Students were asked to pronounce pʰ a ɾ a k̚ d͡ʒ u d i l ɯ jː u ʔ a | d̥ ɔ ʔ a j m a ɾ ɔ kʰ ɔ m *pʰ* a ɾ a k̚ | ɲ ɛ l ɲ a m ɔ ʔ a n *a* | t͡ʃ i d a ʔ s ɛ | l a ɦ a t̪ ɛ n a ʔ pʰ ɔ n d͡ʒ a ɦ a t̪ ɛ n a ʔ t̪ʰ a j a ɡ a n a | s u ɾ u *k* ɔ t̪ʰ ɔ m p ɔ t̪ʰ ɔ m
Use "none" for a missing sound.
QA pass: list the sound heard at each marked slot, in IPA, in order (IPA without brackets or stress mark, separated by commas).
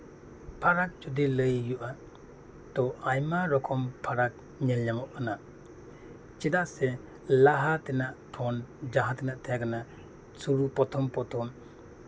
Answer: pʰ, a, p